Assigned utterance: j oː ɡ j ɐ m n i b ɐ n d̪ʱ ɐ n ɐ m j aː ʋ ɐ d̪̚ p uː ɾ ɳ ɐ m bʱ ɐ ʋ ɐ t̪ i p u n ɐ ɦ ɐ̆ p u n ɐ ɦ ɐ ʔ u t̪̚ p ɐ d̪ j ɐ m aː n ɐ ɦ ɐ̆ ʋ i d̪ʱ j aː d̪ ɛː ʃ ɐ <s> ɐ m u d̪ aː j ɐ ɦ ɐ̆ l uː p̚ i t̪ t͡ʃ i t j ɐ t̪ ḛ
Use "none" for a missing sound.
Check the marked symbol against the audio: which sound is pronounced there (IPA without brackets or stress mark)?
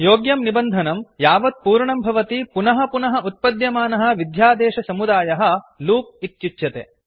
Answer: s